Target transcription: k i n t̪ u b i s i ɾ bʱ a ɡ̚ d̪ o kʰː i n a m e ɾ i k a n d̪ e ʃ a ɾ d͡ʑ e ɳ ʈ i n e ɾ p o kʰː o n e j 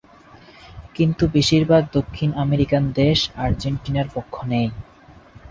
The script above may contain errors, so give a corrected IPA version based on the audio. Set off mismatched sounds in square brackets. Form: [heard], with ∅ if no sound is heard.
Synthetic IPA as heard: k i n t̪ u b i [ʃ] i ɾ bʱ a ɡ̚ d̪ o kʰː i n a m e ɾ i k a n d̪ e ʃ a ɾ d͡ʑ e ɳ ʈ i n [a] ɾ p o kʰː o n e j

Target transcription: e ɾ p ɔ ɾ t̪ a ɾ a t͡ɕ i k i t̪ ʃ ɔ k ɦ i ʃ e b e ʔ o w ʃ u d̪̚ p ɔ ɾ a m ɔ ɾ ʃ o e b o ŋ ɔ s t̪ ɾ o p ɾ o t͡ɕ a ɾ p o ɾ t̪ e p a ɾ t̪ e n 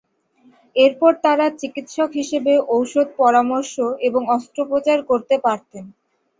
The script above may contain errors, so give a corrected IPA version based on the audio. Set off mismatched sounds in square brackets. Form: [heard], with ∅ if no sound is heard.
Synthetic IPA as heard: e ɾ p ɔ ɾ t̪ a ɾ a t͡ɕ i k i t̪ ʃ ɔ k ɦ i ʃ e b e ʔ o w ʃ [o] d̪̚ p ɔ ɾ a m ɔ ɾ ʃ o e b o ŋ ɔ s t̪ ɾ o p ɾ o t͡ɕ a ɾ [k] o ɾ t̪ e p a ɾ t̪ e n

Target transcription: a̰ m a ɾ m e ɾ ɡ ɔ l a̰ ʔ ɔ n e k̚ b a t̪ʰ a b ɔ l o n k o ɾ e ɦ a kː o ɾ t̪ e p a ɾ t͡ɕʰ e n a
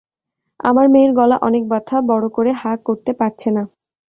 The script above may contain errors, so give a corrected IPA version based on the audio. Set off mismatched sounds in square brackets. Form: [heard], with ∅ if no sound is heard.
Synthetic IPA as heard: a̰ m a ɾ m e ɾ ɡ ɔ l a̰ ʔ ɔ n e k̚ b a t̪ʰ a b ɔ [ɽ] o [∅] k o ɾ e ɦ a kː o ɾ t̪ e p a ɾ t͡ɕʰ e n a

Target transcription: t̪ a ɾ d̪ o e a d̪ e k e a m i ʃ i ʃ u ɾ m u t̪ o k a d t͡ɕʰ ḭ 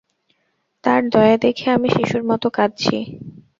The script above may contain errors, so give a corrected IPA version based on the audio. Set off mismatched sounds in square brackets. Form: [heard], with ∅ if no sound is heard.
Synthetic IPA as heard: t̪ a ɾ d̪ [ɔ] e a d̪ e [kʰ] e a m i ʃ i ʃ u ɾ m [ɔ] t̪ o k a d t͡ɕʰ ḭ

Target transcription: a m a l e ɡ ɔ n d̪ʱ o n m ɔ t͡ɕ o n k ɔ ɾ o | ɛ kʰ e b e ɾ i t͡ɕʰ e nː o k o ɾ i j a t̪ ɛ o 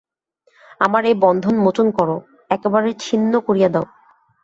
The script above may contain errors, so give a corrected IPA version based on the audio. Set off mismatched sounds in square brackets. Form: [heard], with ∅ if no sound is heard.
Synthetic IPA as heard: a m a [ɾ] e [b] ɔ n d̪ʱ o n m [o] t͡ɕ o n k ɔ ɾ o | ɛ [k] e b [a] ɾ [e] t͡ɕʰ [i] nː o k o ɾ i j a [d̪] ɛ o

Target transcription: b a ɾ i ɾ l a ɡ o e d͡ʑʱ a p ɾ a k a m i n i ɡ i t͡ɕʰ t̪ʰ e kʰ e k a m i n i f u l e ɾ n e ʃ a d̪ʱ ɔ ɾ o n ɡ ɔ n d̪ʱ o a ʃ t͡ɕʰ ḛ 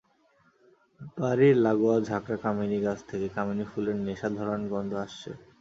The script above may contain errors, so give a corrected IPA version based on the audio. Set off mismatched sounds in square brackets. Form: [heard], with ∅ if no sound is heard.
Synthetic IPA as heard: b a ɾ i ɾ l a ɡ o [a] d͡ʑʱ a [k] ɾ a k a m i n i ɡ [a] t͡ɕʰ t̪ʰ e [k] e k a m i n i f u l e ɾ n e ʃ a d̪ʱ ɔ ɾ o n ɡ ɔ n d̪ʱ o a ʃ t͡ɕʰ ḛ

